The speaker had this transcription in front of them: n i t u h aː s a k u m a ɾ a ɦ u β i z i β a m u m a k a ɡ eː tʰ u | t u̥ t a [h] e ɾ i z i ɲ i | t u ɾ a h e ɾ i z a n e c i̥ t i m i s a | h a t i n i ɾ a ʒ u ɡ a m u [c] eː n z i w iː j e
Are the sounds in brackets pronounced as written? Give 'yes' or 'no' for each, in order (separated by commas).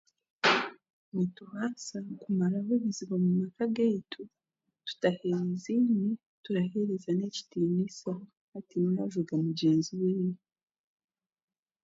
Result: yes, no